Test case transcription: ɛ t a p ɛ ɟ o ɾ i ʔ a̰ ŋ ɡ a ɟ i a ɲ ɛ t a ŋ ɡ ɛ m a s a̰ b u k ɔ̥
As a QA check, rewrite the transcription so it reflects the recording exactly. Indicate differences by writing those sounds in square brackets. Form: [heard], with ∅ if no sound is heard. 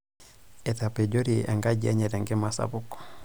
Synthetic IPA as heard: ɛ t a p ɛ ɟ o ɾ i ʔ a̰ ŋ ɡ a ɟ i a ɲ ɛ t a ŋ ɡ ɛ m a s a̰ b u k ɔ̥

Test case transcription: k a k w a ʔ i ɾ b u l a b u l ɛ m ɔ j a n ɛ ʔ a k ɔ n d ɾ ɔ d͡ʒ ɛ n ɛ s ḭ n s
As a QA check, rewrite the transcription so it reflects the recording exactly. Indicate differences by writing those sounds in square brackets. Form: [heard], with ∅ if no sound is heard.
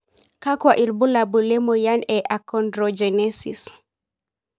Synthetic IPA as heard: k a k w a ʔ i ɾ b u l a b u l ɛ m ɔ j a n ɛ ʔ a k ɔ n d ɾ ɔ d͡ʒ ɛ n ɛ s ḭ [∅] s

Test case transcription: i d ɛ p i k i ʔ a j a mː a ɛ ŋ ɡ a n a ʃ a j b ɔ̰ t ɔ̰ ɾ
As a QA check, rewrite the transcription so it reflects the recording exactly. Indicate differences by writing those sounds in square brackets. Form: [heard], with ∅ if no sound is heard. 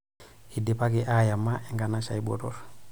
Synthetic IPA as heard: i d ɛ p [a] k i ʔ a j a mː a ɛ ŋ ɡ a n a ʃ a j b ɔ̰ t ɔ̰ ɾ

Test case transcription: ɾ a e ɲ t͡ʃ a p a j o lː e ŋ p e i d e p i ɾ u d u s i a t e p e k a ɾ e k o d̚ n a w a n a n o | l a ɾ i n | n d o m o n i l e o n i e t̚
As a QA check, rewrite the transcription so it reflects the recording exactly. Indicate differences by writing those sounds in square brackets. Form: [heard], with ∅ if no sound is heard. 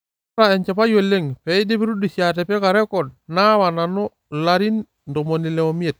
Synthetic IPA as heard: ɾ a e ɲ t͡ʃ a p a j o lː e ŋ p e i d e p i ɾ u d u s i a t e p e k a ɾ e k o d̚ n a w a n a n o | l a ɾ i n | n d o m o n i l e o [m] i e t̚

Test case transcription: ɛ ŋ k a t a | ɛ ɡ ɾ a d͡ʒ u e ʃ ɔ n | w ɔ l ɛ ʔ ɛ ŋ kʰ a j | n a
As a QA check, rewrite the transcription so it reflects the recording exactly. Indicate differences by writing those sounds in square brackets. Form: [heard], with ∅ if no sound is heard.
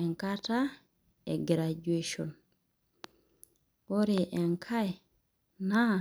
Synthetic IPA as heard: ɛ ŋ k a t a | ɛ ɡ ɾ a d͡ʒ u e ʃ ɔ n | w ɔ [ɾ] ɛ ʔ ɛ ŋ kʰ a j | n a

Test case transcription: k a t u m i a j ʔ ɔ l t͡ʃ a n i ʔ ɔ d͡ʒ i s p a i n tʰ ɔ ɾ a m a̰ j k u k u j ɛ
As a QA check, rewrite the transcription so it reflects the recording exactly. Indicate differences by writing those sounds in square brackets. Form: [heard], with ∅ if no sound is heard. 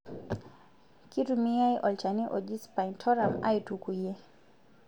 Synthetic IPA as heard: k [i] t u m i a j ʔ ɔ l t͡ʃ a n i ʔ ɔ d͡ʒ i s p a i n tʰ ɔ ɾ a m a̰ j [t] u k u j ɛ

